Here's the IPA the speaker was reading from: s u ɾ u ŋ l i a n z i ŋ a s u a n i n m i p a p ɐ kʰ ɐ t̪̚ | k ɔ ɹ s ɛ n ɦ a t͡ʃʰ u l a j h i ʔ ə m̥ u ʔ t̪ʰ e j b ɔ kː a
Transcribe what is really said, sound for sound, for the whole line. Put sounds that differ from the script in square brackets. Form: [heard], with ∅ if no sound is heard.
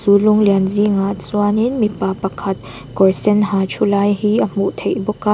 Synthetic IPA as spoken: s u [l] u ŋ l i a n z i ŋ a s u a n i n m i p a p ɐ kʰ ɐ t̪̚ | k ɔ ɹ s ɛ n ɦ a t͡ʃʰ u l a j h i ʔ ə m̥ u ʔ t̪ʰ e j b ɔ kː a